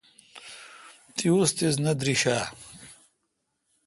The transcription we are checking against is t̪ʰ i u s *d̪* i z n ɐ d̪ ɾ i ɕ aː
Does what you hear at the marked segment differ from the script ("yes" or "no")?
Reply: yes